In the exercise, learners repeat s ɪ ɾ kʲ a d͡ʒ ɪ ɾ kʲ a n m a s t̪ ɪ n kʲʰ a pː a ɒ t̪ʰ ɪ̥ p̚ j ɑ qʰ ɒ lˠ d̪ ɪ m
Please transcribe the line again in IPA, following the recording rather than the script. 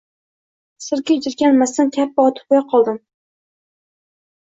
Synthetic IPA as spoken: s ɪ ɾ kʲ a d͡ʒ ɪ ɾ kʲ a n m a s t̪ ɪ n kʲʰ a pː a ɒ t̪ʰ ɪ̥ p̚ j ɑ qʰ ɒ lˠ d̪ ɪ m